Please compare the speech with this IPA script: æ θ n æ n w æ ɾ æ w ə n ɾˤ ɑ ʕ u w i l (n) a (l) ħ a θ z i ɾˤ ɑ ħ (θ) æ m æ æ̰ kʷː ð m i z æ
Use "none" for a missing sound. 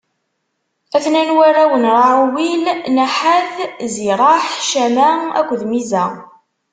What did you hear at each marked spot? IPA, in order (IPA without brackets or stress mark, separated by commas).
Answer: n, none, ʃ